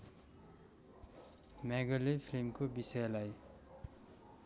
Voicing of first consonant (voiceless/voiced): voiced